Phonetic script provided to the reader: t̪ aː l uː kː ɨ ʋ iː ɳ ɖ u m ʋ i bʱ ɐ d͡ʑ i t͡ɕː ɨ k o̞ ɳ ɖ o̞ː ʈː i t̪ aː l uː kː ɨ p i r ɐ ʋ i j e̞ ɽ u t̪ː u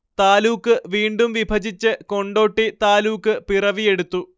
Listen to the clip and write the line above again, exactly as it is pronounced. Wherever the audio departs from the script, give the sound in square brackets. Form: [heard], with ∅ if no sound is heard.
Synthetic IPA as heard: t̪ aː l uː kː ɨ ʋ iː ɳ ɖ u m ʋ i bʱ ɐ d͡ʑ i t͡ɕː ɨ k o̞ ɳ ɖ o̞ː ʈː i t̪ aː l uː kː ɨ p i r ɐ ʋ i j e̞ ɽ u t̪ː u